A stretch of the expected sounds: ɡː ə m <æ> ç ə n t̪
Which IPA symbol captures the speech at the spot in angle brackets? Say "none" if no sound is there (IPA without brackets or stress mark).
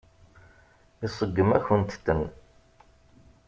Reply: æ